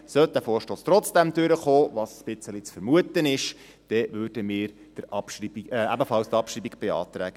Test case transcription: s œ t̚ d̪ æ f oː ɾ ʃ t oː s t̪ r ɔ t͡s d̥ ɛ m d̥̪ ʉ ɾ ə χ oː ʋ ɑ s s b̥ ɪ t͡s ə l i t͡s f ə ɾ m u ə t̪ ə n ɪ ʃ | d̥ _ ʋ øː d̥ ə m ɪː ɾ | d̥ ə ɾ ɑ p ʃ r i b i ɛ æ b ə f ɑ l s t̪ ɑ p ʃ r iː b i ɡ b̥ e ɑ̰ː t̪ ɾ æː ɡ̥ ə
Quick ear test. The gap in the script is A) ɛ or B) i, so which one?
A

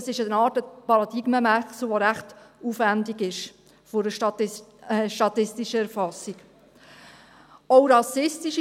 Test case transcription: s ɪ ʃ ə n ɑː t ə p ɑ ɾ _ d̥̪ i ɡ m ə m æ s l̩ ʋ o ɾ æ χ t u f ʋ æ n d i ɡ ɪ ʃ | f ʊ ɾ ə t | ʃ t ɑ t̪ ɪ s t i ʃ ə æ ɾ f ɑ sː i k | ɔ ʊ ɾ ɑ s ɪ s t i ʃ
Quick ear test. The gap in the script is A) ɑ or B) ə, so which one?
A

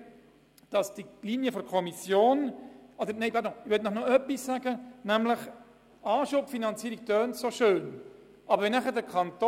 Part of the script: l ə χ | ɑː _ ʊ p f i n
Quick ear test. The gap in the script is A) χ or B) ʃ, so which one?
B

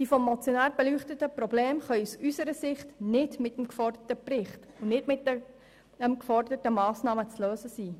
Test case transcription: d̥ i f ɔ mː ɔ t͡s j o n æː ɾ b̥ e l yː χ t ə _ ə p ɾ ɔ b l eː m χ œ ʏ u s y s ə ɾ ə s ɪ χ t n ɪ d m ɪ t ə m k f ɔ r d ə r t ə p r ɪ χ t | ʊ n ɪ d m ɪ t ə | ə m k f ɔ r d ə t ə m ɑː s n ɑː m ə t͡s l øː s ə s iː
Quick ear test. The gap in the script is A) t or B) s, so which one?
A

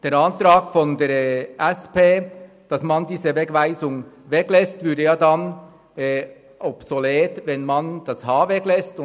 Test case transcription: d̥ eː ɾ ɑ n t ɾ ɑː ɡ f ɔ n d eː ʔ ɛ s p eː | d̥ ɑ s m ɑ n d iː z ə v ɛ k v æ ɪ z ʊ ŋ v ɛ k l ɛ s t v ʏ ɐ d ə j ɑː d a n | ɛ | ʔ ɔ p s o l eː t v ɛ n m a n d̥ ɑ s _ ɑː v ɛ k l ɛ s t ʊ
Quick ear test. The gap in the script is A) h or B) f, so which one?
A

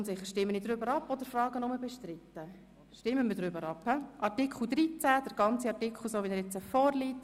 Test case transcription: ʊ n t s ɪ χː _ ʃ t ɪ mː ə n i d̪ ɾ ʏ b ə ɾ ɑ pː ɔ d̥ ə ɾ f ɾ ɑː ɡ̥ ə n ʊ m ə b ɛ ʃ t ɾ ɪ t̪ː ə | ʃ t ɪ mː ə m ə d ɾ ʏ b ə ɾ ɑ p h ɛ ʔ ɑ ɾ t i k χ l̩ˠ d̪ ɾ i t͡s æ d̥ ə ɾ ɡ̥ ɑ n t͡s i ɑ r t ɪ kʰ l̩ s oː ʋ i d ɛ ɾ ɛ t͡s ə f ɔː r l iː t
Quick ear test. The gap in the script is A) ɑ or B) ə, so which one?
B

